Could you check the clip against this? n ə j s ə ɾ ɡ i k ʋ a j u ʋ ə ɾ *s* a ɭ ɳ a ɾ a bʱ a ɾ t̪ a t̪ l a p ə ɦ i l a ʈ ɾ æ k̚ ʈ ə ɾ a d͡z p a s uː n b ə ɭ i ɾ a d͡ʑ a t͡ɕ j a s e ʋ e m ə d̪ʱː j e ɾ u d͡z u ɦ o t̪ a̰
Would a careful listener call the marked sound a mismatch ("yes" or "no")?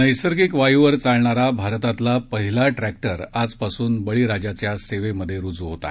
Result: yes